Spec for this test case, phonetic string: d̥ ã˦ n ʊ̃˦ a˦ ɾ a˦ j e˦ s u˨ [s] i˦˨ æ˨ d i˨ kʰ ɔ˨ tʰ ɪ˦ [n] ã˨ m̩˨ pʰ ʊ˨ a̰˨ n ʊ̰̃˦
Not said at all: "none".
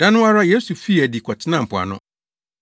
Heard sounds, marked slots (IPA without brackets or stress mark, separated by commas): f, n